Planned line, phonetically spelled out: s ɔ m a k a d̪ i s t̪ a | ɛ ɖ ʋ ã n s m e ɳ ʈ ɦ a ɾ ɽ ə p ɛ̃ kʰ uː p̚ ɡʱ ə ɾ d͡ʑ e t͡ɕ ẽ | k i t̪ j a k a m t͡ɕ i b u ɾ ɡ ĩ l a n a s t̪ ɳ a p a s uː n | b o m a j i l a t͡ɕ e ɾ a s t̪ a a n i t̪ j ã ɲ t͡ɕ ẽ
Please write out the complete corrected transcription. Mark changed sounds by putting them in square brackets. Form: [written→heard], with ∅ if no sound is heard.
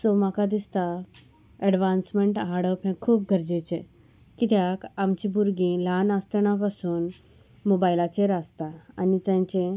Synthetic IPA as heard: s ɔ m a k a d̪ i s t̪ a | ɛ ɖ ʋ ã n s m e ɳ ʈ ɦ a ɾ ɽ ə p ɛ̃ kʰ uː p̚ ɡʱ ə ɾ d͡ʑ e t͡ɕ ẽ | k i t̪ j a k a m t͡ɕ i b u ɾ ɡ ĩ l a n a s t̪ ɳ a p a s uː n | [b→m] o [m→b] a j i l a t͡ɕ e ɾ a s t̪ a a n i t̪ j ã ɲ t͡ɕ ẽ